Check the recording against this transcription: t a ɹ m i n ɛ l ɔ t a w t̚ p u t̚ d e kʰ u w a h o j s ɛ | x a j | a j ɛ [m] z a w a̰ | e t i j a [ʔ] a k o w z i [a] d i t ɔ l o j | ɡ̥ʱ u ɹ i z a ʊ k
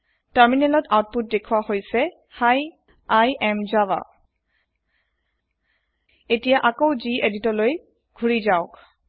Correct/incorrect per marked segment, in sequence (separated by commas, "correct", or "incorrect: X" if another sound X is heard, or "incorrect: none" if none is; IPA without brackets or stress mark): correct, correct, incorrect: e